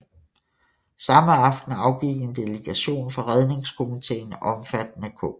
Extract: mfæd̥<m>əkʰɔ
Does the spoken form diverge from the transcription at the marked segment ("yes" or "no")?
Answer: yes